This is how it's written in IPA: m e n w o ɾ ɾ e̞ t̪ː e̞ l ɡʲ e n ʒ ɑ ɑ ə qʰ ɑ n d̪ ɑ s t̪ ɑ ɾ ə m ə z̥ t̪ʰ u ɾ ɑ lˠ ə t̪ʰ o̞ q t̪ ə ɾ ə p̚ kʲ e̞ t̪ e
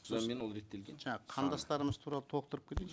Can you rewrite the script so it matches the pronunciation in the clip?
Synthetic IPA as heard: m e n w o l ɾ e̞ t̪ː e̞ l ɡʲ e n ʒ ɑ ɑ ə qʰ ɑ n d̪ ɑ s t̪ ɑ ɾ ə m ə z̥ t̪ʰ u ɾ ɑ lˠ ə t̪ʰ o̞ q t̪ ə ɾ ə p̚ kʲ e̞ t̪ e